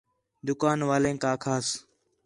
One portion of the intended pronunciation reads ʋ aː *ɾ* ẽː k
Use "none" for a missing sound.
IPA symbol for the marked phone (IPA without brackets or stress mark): l